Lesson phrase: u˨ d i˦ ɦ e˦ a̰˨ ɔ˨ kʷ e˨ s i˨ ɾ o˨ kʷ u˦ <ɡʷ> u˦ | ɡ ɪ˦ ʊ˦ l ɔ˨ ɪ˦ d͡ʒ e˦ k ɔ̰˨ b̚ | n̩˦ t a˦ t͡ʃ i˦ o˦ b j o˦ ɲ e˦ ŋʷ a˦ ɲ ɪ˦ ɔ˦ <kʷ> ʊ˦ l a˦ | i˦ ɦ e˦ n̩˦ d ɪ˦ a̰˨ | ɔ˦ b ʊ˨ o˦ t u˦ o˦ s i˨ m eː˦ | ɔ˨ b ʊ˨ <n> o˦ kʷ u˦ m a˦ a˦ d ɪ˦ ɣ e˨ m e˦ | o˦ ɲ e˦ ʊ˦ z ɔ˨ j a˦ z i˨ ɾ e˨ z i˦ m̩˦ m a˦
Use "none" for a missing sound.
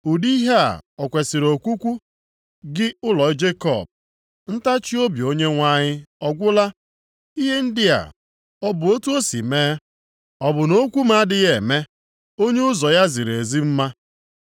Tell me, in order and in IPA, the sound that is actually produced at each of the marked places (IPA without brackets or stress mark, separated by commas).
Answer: kʷ, ɡʷ, n